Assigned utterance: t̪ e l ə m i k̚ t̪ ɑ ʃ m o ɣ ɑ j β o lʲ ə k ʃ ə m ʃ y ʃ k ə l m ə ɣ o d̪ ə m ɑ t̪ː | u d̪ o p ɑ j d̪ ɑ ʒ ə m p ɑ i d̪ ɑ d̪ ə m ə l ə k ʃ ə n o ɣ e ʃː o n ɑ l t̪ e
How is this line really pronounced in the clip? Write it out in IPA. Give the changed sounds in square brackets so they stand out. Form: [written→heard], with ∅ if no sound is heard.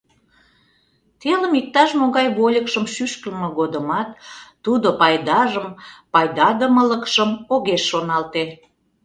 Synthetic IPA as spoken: t̪ e l ə m i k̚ t̪ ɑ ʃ m o ɣ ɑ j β o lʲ ə k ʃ ə m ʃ y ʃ k ə l m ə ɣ o d̪ ə m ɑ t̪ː | u d̪ o p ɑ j d̪ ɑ ʒ ə m p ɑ [i→j] d̪ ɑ d̪ ə m ə l ə k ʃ ə [n→m] o ɣ e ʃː o n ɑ l t̪ e

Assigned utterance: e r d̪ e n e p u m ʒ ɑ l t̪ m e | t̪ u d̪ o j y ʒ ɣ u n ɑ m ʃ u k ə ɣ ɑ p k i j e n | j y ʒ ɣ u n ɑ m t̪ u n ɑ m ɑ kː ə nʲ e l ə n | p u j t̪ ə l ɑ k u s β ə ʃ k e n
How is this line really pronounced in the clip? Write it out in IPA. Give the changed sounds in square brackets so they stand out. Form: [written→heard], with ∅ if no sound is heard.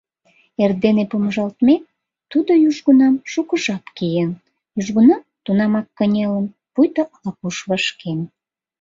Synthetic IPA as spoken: e r d̪ e n e p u m ʒ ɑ l t̪ m e | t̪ u d̪ o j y ʒ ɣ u n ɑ m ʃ u k ə [ɣ→ʒ] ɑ p k i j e n | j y ʒ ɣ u n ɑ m t̪ u n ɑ m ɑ kː ə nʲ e l ə n | p u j t̪ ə l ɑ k u [s→ʃ] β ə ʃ k e n

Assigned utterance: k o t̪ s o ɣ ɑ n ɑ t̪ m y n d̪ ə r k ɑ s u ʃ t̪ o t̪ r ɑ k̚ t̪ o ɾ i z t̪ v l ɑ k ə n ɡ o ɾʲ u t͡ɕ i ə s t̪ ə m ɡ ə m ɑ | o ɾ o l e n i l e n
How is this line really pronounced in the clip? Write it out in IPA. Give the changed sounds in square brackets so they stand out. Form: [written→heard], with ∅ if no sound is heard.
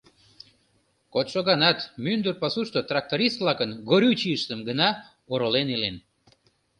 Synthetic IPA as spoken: k o t̪ [s→ʃ] o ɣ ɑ n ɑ t̪ m y n d̪ ə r [k→p] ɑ s u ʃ t̪ o t̪ r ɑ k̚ t̪ o ɾ i [z→s] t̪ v l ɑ k ə n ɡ o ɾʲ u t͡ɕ i ə [s→ʃ] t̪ ə m ɡ ə [m→n] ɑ | o ɾ o l e n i l e n

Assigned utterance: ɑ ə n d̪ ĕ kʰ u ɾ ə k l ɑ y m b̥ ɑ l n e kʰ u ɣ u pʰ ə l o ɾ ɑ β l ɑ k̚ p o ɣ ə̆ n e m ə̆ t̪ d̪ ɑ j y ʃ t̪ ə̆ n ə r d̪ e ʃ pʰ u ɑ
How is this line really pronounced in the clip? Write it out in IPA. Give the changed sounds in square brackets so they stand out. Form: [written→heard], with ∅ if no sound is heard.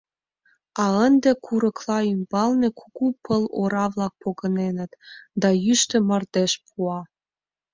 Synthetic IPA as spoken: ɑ ə n d̪ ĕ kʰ u ɾ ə k l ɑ y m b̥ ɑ l n e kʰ u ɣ u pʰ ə l o ɾ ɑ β l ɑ k̚ p o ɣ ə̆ n e [m→n] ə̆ t̪ d̪ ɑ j y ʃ t̪ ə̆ [n→m] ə r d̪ e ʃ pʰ u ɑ

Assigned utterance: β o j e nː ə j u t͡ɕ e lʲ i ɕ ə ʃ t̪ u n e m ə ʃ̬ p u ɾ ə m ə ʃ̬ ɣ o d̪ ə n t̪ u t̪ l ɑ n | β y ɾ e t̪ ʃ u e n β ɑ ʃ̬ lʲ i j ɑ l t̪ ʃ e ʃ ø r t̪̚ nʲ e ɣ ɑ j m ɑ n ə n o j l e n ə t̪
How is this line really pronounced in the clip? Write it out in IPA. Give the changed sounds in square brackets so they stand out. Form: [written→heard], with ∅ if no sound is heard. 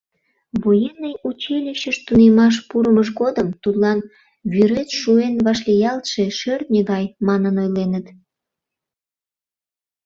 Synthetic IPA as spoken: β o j e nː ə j u t͡ɕ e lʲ i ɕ ə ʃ t̪ u n e m [ə→ɑ] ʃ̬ p u ɾ ə m ə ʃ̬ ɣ o d̪ ə [n→m] t̪ u t̪ l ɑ n | β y ɾ e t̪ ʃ u e n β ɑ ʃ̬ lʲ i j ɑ l t̪ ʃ e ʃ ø r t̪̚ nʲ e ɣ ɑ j m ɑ n ə n o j l e n ə t̪

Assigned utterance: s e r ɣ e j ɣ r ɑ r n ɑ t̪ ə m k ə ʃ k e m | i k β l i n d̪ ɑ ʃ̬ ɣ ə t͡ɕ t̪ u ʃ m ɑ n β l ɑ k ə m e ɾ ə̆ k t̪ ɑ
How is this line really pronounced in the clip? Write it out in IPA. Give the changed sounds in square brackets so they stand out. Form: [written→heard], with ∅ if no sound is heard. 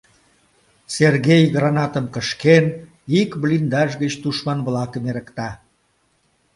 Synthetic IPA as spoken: s e r ɣ e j ɣ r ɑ [r→∅] n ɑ t̪ ə m k ə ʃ k e [m→n] | i k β l i n d̪ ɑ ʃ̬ ɣ ə t͡ɕ t̪ u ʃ m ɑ n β l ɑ k ə m e ɾ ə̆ k t̪ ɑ

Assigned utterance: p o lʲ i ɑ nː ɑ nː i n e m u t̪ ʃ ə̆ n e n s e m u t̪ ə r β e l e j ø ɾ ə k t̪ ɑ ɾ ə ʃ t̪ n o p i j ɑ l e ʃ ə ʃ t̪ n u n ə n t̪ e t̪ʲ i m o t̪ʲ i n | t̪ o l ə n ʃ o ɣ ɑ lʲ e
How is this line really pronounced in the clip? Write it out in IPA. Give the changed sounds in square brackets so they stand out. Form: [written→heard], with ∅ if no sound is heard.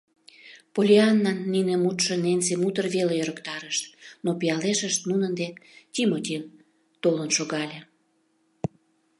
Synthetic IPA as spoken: p o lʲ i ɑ nː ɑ nː i n e m u t̪ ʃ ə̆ n e n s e m u t̪ ə r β e l e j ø ɾ ə k t̪ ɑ ɾ ə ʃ t̪ n o p i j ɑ l e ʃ ə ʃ t̪ n u n ə n [t̪→d̪] e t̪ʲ i m o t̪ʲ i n | t̪ o l ə n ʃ o ɣ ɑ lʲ e

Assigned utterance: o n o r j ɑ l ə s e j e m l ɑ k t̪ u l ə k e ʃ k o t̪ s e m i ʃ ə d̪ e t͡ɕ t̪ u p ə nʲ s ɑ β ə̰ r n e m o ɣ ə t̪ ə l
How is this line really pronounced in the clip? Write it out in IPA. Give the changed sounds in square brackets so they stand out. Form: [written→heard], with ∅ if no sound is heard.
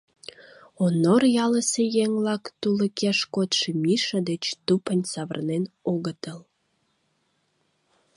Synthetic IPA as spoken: o n o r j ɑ l ə s e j e [m→ŋ] l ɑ k t̪ u l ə k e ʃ k o t̪ [s→ʃ] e m i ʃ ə d̪ e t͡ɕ t̪ u p ə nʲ s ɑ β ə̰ r n e [m→n] o ɣ ə t̪ ə l

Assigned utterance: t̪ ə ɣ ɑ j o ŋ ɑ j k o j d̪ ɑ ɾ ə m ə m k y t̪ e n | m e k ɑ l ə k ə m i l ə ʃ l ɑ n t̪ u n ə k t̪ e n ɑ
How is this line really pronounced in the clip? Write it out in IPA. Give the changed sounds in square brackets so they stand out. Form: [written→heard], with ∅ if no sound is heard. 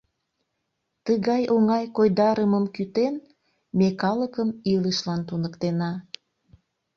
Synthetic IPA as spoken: t̪ ə ɣ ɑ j o ŋ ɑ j k o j d̪ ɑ ɾ ə m ə m k y t̪ e n | m e k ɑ l ə k ə m i l ə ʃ l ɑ n t̪ u n ə k t̪ e n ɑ

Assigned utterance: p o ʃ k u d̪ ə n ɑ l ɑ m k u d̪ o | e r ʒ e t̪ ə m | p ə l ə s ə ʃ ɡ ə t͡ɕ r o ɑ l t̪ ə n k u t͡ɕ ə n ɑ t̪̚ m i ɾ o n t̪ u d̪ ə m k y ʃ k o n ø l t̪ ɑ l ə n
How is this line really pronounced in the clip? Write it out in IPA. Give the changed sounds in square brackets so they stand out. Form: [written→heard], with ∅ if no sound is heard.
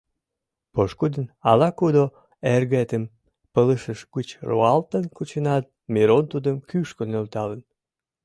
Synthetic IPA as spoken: p o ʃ k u d̪ ə n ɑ l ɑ [m→∅] k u d̪ o | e r [ʒ→ɣ] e t̪ ə m | p ə l ə [s→ʃ] ə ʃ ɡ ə t͡ɕ r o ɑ l t̪ ə n k u t͡ɕ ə n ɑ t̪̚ m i ɾ o n t̪ u d̪ ə m k y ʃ k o n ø l t̪ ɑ l ə n

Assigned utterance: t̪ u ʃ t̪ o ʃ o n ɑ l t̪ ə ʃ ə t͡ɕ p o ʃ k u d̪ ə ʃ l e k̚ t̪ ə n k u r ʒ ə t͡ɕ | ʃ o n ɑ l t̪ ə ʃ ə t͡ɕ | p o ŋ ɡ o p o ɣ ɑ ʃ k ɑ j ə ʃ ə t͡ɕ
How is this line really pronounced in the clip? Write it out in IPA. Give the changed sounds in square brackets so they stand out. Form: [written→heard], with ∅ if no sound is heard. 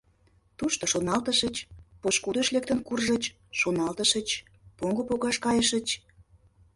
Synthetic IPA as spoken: t̪ u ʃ t̪ o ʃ o n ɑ l t̪ ə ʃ ə t͡ɕ p o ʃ k u d̪ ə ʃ l e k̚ t̪ ə n k u r ʒ ə t͡ɕ | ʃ o n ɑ l t̪ ə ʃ ə t͡ɕ | p o ŋ ɡ o p o ɣ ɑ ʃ k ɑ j ə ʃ ə t͡ɕ

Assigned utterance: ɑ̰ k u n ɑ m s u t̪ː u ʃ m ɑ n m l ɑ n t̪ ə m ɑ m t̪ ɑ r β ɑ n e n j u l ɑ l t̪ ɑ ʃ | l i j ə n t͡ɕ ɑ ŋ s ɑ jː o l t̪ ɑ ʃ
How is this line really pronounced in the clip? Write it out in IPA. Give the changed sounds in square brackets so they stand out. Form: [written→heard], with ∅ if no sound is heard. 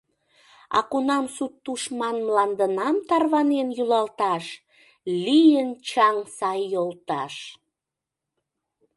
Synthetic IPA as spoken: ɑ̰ k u n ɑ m s u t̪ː u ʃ m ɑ n m l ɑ n [t̪→d̪] ə [m→n] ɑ m t̪ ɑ r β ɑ n e n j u l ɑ l t̪ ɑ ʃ | l i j ə n t͡ɕ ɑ ŋ s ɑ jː o l t̪ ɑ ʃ

